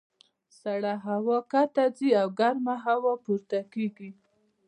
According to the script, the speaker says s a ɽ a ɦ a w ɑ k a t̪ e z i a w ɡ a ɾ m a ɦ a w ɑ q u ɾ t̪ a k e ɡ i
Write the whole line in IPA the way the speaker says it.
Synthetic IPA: s a ɽ a ɦ a w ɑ k a t̪ a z i a w ɡ a ɾ m a ɦ a w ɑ p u ɾ t̪ a k e ɡ i